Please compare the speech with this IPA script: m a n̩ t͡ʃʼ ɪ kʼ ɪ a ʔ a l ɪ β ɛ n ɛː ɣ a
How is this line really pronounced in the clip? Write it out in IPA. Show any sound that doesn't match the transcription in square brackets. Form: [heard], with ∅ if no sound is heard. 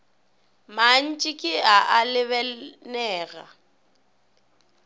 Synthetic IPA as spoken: m a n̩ t͡ʃʼ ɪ kʼ ɪ a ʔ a l ɪ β ɛ n ɛː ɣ a